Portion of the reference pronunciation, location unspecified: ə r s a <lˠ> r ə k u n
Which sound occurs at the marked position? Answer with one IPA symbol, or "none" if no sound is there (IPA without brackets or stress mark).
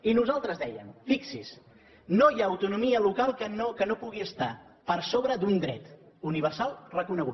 lˠ